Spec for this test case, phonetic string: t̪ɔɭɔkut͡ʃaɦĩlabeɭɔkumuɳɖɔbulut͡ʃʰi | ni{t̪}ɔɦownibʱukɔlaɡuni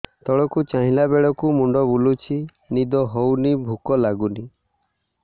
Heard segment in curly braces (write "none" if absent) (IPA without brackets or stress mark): d̪